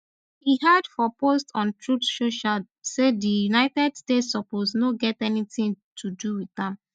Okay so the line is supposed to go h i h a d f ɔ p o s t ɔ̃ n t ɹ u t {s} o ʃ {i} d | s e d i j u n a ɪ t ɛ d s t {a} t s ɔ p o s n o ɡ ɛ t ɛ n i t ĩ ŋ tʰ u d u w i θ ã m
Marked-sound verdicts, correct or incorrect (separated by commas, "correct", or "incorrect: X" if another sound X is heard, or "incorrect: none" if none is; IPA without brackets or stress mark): incorrect: ʃ, incorrect: a, incorrect: e